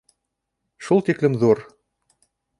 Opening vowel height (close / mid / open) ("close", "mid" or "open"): close